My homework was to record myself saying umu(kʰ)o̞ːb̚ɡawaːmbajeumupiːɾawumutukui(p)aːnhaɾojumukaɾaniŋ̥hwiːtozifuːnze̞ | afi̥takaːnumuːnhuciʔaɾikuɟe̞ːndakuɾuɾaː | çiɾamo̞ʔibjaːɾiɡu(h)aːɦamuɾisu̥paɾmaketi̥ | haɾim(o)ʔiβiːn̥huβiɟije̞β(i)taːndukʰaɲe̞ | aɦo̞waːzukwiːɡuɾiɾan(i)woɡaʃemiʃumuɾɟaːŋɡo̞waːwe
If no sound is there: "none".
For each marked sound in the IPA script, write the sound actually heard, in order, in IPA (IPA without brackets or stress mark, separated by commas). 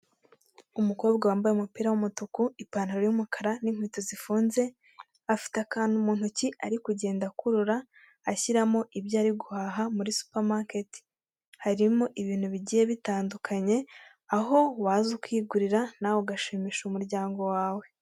k, p, h, o, i, a